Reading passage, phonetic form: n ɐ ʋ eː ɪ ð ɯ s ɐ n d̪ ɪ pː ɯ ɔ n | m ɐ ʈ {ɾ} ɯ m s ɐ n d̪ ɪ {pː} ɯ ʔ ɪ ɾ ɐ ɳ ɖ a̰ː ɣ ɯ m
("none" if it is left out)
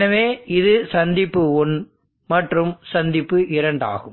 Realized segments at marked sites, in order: r, pː

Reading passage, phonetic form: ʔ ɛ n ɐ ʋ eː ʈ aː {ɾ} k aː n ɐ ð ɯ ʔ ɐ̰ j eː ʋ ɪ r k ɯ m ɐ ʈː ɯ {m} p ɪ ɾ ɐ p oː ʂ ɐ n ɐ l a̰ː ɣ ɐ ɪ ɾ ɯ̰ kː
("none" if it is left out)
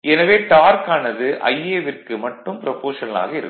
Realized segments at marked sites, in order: ɾ, m

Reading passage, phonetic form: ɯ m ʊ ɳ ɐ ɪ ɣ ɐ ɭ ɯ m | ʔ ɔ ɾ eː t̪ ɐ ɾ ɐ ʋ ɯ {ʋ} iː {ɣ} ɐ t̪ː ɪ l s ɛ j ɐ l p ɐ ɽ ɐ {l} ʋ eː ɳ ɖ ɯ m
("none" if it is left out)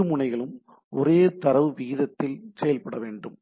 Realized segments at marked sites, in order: ʋ, ð, none

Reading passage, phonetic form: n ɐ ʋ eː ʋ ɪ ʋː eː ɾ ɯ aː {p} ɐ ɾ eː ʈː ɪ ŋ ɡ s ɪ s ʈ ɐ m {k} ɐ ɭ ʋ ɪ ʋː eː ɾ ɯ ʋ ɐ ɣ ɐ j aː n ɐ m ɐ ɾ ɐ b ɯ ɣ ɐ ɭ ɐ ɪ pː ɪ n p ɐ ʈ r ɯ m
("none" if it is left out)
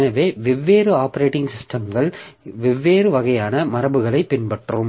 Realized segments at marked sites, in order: p, ɡ

